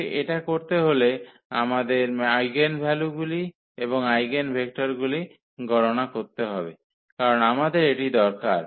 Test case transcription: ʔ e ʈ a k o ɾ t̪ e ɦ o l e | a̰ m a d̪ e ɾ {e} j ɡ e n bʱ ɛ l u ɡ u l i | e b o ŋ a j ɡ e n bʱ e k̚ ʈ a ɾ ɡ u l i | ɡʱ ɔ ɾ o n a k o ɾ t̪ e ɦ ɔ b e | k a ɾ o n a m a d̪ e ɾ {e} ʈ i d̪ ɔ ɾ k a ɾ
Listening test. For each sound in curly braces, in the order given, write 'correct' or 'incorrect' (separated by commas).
incorrect, correct